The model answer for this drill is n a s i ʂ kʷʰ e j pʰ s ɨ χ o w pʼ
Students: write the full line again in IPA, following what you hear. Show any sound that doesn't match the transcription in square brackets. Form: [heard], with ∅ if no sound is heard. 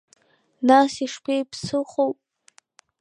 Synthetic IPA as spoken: n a s i ʂ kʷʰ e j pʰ s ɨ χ o w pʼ